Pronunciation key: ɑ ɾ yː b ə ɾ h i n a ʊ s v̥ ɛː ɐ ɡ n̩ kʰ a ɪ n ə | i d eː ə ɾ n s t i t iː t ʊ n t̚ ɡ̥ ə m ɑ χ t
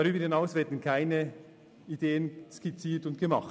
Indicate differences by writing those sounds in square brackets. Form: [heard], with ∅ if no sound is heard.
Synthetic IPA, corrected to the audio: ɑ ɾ yː b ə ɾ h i n a ʊ s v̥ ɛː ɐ [d] n̩ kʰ a ɪ n ə | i d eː ə [∅] n s [k] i [t͡s] iː t ʊ n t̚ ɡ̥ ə m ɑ χ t

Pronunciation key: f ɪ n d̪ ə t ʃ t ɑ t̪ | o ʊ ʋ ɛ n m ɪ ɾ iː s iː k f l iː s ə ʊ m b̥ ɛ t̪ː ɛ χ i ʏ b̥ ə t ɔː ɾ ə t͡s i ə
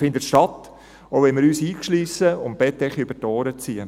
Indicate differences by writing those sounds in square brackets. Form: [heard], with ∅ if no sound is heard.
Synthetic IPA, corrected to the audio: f ɪ n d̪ ə t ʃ t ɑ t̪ | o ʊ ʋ ɛ n m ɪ ɾ [yː] s iː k [ʃ] l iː s ə ʊ m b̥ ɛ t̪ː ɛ χ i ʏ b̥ ə t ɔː ɾ ə t͡s i ə

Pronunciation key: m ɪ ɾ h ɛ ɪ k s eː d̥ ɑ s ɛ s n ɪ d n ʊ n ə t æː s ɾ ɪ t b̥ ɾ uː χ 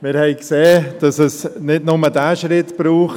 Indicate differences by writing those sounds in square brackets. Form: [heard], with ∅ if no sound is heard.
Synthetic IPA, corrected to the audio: m ɪ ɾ h ɛ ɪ k s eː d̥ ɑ s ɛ s n ɪ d n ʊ [m] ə [d] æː [ʃ] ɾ ɪ t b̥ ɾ uː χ

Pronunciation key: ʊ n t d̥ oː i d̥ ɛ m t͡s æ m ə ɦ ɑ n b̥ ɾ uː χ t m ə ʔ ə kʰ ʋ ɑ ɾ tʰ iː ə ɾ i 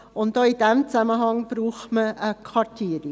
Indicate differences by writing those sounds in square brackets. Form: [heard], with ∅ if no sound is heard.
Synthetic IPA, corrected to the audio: ʊ n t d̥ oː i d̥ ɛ m t͡s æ m ə ɦ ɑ [ŋ] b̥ ɾ uː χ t m ə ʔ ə kʰ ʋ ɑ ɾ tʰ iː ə ɾ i

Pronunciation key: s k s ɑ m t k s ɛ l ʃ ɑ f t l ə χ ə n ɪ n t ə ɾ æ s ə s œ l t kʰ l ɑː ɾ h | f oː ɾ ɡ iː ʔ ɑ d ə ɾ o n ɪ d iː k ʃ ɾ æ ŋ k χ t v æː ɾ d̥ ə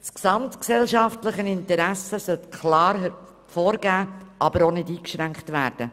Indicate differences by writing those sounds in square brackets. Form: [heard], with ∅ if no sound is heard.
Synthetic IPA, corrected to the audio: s k s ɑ m t k s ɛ l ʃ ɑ f t l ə χ ə n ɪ n t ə ɾ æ s ə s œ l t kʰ l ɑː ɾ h | f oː ɾ ɡ [æː] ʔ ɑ [b] ə ɾ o n ɪ d iː k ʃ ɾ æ ŋ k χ t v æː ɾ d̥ ə

